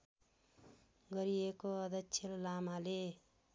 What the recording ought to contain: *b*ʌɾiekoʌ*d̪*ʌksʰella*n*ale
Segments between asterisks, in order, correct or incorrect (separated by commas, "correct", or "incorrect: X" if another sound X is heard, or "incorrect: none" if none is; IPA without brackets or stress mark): incorrect: ɡ, correct, incorrect: m